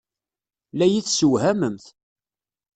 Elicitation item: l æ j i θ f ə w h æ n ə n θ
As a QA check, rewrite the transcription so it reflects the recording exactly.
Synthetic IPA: l æ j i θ s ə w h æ m ə m θ